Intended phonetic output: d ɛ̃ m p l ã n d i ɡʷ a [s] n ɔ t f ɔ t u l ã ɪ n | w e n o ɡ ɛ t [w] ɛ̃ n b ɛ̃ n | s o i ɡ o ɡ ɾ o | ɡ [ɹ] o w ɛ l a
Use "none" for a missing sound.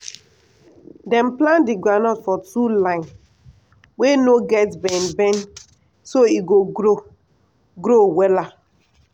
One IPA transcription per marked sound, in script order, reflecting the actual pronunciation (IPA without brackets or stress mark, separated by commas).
none, b, ɾ